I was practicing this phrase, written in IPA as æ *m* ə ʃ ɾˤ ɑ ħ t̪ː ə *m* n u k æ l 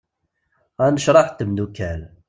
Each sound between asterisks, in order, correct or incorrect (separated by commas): incorrect, correct